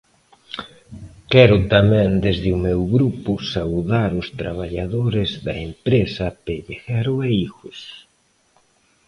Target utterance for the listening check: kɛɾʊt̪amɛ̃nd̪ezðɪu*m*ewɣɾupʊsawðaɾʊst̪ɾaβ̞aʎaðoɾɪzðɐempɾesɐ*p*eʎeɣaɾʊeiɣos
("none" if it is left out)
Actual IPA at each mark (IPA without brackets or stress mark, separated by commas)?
m, p